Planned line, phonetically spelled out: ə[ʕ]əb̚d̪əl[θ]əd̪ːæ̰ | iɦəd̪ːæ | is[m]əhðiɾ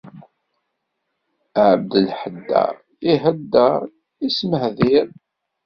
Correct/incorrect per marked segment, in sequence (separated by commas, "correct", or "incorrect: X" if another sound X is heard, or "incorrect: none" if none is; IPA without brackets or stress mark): correct, incorrect: ħ, correct